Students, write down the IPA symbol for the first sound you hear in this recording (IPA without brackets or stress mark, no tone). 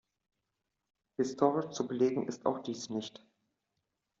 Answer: h